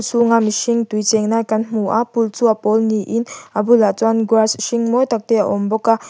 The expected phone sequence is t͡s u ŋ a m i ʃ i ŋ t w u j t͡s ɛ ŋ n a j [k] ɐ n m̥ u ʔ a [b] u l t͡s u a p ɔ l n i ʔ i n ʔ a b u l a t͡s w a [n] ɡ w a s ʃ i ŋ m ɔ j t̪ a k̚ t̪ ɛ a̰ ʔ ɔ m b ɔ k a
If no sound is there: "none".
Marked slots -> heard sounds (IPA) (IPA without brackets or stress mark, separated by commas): k, p, n